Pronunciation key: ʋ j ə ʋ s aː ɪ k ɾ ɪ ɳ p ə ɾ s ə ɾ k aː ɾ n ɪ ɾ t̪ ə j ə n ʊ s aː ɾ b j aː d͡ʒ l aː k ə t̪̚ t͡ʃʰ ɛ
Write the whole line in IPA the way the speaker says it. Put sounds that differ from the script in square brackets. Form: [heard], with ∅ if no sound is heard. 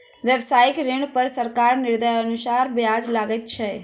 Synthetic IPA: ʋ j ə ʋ s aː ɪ k ɾ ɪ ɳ p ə ɾ s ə ɾ k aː ɾ n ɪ ɾ [d̪] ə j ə n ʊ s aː ɾ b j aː d͡ʒ l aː [ɡ] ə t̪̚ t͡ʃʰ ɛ